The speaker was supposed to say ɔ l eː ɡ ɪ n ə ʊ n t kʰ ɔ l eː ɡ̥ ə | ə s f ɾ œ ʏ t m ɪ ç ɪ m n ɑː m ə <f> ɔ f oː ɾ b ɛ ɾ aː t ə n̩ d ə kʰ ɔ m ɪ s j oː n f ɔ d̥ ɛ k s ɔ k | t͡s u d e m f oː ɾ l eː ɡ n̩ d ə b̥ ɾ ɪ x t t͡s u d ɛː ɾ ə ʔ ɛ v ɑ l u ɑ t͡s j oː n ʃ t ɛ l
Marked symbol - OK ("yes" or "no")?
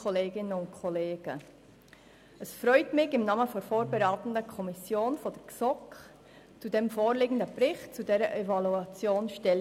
yes